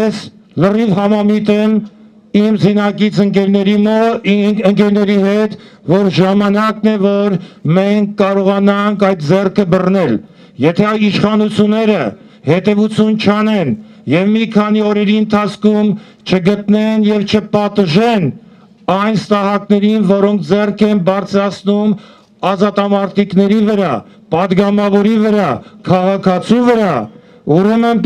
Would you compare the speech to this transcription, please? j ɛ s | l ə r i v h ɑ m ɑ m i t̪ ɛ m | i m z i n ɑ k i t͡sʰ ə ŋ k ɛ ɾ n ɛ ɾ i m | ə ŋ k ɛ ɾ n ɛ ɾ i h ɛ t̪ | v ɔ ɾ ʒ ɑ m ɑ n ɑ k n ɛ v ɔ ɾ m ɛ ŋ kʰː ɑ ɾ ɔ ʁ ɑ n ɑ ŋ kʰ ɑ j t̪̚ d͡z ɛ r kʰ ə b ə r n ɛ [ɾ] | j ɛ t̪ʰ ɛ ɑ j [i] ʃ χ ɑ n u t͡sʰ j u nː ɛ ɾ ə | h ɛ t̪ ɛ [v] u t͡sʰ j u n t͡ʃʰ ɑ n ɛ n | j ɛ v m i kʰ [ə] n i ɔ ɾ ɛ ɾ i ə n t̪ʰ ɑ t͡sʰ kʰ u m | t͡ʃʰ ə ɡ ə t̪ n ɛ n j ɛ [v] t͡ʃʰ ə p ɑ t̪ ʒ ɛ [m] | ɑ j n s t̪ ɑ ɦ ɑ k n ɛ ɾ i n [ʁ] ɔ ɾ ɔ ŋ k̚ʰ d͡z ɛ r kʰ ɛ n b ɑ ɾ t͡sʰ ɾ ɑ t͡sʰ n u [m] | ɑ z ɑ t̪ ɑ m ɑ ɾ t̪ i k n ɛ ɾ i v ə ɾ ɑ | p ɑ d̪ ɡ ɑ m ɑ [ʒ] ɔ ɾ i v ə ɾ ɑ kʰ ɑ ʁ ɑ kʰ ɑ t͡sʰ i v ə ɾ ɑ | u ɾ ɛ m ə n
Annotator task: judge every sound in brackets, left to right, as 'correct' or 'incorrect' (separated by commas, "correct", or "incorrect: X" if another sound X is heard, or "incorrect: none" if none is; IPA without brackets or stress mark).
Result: incorrect: l, correct, correct, incorrect: ɑ, correct, incorrect: n, incorrect: v, correct, incorrect: v